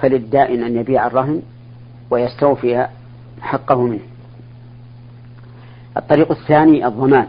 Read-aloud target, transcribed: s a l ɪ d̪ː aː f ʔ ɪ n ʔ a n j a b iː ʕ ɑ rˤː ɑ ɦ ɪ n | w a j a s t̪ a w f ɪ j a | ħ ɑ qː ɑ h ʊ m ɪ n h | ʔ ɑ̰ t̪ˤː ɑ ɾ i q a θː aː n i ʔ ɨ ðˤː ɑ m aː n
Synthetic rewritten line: f a l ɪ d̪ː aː ʔ ɪ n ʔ a n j a b iː ʕ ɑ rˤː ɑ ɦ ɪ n | w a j a s t̪ a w f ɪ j a | ħ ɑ qː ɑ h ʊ m ɪ n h | ʔ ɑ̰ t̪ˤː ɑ ɾ iː q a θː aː n i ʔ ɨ ðˤː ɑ m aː n